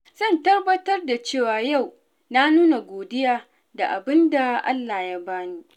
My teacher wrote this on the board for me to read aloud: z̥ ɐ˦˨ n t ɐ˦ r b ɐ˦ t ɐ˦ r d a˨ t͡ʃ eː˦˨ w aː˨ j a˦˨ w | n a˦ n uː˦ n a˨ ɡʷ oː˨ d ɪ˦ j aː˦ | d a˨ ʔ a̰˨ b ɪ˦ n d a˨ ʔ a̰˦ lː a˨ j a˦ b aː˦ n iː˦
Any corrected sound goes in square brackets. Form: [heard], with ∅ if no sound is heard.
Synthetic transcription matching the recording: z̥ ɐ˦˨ n t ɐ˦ r b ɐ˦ t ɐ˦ r d a˨ t͡ʃ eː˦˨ w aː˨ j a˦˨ w | n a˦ n uː˦ n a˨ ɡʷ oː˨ d ɪ˦ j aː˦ | d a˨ ʔ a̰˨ b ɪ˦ n d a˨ ʔ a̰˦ lː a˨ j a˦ b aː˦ n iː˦

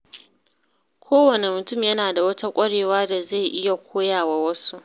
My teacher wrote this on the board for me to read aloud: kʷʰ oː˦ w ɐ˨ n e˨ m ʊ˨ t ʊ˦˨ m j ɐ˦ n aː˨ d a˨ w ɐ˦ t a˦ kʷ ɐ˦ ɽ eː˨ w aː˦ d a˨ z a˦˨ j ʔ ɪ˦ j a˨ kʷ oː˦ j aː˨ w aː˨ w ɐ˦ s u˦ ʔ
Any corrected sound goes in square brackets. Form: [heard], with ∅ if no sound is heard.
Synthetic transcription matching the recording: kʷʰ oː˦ w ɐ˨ n e˨ m ʊ˨ t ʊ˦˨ m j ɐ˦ n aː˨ d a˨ w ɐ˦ t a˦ [kʷʼ] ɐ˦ ɽ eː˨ w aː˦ d a˨ z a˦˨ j ʔ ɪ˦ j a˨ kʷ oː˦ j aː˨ w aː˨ w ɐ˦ s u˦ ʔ

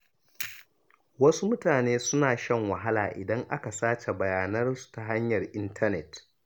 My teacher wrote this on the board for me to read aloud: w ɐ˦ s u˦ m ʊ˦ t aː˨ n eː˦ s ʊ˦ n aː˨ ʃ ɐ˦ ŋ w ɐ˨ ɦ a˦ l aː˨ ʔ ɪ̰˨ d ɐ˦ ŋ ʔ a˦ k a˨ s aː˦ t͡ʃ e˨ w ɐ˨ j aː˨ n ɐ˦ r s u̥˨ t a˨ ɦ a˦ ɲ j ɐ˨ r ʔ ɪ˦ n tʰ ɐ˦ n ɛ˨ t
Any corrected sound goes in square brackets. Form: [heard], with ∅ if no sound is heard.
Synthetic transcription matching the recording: w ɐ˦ s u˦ m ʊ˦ t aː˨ n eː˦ s ʊ˦ n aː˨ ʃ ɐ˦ ŋ w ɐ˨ ɦ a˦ l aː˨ ʔ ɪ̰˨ d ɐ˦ ŋ ʔ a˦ k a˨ s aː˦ t͡ʃ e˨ [b] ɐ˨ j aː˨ n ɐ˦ r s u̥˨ t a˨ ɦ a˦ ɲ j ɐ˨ r ʔ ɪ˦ n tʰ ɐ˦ n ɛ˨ t

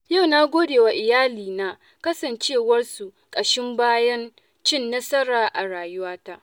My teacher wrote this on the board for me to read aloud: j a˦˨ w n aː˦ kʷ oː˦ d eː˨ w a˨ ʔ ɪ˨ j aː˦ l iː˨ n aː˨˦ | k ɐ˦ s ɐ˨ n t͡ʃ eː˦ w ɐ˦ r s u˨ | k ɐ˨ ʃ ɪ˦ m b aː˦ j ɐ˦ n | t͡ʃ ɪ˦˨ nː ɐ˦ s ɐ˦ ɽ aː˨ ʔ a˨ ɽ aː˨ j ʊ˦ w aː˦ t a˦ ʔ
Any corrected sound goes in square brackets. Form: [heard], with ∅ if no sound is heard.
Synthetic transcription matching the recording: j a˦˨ w n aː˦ [ɡʷ] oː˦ d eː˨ w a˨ ʔ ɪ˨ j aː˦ l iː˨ n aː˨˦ | k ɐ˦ s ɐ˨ n t͡ʃ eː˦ w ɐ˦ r s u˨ | [kʼ] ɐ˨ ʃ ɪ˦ m b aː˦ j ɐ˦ n | t͡ʃ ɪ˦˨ nː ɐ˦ s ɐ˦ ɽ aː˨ ʔ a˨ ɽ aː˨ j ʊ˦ w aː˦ t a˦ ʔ

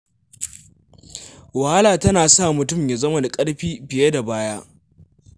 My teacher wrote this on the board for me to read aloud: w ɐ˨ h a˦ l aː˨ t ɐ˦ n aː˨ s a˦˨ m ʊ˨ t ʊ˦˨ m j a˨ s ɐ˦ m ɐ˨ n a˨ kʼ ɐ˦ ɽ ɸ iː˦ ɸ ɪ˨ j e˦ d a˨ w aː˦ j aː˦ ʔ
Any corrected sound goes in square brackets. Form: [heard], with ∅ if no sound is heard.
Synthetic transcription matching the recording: w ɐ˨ h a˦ l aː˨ t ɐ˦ n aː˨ s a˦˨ m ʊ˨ t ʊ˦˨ m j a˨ [z] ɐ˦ m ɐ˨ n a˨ kʼ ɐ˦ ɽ ɸ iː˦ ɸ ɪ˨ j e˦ d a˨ [b] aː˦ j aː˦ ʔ

